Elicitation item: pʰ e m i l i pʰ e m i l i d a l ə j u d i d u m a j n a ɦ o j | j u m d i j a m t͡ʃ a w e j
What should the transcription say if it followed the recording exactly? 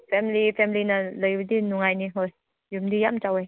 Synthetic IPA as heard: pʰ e m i l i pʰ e m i l i n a l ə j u d i n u ŋ a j n i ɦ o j | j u m d i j a m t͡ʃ a w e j

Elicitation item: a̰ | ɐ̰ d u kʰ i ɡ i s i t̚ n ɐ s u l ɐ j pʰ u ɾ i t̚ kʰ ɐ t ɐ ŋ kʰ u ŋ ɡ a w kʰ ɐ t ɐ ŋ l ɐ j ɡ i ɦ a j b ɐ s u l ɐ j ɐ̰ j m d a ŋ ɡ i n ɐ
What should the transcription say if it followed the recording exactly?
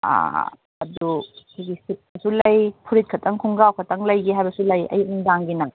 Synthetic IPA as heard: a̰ | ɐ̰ d u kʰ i ɡ i s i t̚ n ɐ s u l ɐ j pʰ u ɾ i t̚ kʰ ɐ t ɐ ŋ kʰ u ŋ ɡ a w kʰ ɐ t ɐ ŋ l ɐ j ɡ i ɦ a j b ɐ s u l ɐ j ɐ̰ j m d a ŋ ɡ i n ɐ

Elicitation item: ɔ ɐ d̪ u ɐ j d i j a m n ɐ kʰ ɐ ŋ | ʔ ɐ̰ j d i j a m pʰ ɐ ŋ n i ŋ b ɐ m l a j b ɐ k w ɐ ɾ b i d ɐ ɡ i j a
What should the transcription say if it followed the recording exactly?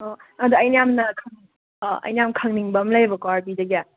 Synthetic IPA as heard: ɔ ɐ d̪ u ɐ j n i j a m n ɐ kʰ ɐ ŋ | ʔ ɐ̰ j n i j a m kʰ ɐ ŋ n i ŋ b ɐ m l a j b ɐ k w a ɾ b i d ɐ ɡ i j a

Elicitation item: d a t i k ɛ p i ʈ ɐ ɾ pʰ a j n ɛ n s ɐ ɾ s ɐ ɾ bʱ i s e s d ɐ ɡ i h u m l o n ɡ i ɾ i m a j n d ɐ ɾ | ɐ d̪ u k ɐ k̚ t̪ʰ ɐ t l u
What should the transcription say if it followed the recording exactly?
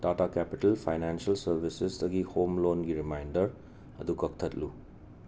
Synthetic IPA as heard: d a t a k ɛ p i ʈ ɐ l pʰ a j n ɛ n s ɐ l s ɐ ɾ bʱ i s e s d ɐ ɡ i h o m l o n ɡ i ɾ i m a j n d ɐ ɾ | ɐ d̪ u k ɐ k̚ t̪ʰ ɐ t l u

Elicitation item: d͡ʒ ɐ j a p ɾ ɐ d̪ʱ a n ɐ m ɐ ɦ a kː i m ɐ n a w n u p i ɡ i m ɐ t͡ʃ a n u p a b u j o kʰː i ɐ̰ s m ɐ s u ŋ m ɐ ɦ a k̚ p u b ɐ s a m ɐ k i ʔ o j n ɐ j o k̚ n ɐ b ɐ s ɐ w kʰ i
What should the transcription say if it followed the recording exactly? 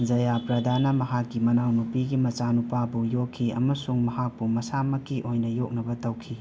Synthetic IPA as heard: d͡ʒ ɐ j a p ɾ ɐ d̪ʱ a n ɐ m ɐ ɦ a kː i m ɐ n a w n u p i ɡ i m ɐ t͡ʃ a n u p a b u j o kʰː i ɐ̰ m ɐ s u ŋ m ɐ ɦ a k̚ p u m ɐ s a m ɐ k i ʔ o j n ɐ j o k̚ n ɐ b ɐ t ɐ w kʰ i

